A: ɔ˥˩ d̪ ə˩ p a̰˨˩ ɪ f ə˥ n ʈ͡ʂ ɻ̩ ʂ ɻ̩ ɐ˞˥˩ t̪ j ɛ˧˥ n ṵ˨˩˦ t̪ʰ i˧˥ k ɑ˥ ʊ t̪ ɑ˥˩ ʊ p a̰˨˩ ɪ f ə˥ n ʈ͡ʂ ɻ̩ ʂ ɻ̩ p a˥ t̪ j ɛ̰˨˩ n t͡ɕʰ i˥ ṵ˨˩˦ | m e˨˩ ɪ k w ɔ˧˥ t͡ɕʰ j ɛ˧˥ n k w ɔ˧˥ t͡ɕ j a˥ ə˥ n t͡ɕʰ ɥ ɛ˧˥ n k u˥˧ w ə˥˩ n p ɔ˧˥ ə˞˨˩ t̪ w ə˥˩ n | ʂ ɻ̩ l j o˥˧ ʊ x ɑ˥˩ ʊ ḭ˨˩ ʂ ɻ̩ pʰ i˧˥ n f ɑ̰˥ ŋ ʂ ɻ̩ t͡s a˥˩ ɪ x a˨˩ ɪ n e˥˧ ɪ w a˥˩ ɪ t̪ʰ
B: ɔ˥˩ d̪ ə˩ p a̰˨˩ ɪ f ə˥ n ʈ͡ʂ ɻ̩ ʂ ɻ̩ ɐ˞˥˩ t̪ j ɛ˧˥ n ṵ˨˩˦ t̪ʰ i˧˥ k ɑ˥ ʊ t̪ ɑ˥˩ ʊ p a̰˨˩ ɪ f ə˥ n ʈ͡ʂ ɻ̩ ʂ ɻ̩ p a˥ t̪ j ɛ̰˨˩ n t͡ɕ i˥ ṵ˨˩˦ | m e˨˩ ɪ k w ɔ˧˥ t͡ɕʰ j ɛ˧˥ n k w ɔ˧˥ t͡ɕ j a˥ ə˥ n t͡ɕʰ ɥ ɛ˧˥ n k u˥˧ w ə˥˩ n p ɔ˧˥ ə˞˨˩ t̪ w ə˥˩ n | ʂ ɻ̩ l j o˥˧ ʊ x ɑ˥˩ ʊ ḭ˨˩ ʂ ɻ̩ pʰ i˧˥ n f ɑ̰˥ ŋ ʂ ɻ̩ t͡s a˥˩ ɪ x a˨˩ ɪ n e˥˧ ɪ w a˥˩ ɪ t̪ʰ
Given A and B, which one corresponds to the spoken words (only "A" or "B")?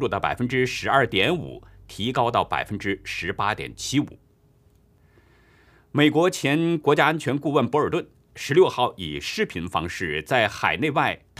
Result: A